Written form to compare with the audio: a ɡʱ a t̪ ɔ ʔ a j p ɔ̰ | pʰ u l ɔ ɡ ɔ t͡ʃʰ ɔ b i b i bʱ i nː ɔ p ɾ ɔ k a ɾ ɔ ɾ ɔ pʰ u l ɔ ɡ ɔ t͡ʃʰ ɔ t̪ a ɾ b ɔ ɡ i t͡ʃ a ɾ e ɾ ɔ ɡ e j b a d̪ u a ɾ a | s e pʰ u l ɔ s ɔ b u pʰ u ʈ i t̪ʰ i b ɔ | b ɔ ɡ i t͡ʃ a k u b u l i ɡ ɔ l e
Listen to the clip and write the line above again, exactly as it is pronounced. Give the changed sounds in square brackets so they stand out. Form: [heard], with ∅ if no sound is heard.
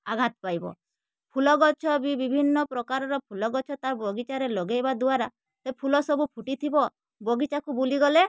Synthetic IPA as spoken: a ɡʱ a t̪ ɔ [p] a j [b] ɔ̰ | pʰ u l ɔ ɡ ɔ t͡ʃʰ ɔ b i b i bʱ i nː ɔ p ɾ ɔ k a ɾ ɔ ɾ ɔ pʰ u l ɔ ɡ ɔ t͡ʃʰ ɔ t̪ a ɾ b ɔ ɡ i t͡ʃ a ɾ e [l] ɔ ɡ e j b a d̪ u a ɾ a | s e pʰ u l ɔ s ɔ b u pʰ u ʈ i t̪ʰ i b ɔ | b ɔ ɡ i t͡ʃ a k u b u l i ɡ ɔ l e

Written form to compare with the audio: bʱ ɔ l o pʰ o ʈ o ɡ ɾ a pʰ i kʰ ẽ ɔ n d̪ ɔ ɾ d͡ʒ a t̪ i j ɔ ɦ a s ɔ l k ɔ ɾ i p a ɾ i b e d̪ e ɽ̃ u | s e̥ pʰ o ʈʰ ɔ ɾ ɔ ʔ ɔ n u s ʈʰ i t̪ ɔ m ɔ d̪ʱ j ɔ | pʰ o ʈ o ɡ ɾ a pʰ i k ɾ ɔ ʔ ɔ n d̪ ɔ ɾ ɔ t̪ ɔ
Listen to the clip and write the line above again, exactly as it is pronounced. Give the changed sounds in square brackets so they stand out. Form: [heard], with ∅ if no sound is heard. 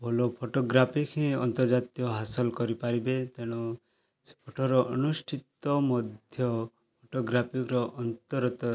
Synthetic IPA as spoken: bʱ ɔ l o pʰ o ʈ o ɡ ɾ a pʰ i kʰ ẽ ɔ n [t̪] ɔ ɾ d͡ʒ a t̪ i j ɔ ɦ a s ɔ l k ɔ ɾ i p a ɾ i b e [t̪] e ɽ̃ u | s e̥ pʰ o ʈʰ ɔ ɾ ɔ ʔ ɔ n u s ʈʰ i t̪ ɔ m ɔ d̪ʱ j ɔ | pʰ o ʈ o ɡ ɾ a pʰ i k ɾ ɔ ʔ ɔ n [t̪] ɔ ɾ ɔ t̪ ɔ

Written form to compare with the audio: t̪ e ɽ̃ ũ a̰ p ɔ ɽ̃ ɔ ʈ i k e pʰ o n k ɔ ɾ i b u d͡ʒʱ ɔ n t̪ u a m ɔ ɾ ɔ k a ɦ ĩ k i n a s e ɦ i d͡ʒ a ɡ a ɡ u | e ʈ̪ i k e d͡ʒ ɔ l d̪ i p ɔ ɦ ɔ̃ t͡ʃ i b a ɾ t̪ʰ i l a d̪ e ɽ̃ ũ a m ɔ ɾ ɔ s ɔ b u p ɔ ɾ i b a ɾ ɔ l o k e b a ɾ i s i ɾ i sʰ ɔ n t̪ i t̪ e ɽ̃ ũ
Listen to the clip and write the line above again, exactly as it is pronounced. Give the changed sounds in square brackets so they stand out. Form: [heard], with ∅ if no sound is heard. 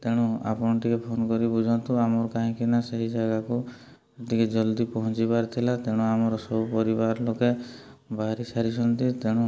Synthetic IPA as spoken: t̪ e ɽ̃ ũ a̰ p ɔ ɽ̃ ɔ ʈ i k e pʰ o n k ɔ ɾ i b u d͡ʒʱ ɔ n t̪ u a m ɔ ɾ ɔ k a ɦ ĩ k i n a s e ɦ i d͡ʒ a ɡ a [k] u | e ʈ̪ i k e d͡ʒ ɔ l d̪ i p ɔ ɦ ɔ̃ t͡ʃ i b a ɾ t̪ʰ i l a [t̪] e ɽ̃ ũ a m ɔ ɾ ɔ s ɔ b u p ɔ ɾ i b a ɾ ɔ l o k e b a ɾ i s [a] ɾ i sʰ ɔ n t̪ i t̪ e ɽ̃ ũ

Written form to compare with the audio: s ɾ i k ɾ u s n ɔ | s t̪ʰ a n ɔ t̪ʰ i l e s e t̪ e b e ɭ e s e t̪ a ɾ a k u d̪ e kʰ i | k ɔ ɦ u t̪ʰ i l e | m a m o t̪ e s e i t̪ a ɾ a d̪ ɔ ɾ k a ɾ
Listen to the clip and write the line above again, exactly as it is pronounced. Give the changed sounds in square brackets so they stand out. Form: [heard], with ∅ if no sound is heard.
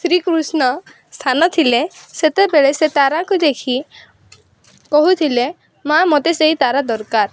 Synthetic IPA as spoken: s ɾ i k ɾ u s n ɔ | s t̪ʰ a n ɔ t̪ʰ i l e s e t̪ e b e ɭ e s e t̪ a ɾ a k u d̪ e kʰ i | k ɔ ɦ u t̪ʰ i l e | m a m o t̪ e s e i t̪ a ɾ a d̪ ɔ ɾ k a ɾ

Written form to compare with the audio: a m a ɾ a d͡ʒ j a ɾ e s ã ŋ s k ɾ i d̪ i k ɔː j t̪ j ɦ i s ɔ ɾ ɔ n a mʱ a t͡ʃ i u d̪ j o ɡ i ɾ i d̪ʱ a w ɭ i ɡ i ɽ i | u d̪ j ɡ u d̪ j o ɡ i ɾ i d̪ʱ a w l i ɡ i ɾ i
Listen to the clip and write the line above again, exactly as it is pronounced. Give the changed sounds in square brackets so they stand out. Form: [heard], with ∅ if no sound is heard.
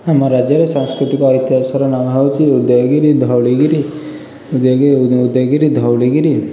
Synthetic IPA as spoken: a m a ɾ a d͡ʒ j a ɾ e s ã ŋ s k ɾ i [t̪] i k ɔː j t̪ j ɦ [a] s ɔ ɾ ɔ n a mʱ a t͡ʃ i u d̪ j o ɡ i ɾ i d̪ʱ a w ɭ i ɡ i [ɾ] i | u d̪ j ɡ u d̪ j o ɡ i ɾ i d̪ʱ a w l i ɡ i ɾ i

